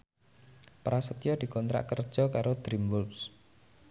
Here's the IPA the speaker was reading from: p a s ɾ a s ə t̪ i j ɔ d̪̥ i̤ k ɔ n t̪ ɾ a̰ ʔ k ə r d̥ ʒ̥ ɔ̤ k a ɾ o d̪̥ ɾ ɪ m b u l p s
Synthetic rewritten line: p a ɾ a s ə t̪ i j ɔ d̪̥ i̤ k ɔ n t̪ ɾ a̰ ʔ k ə r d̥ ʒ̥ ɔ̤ k a ɾ o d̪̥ ɾ i m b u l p s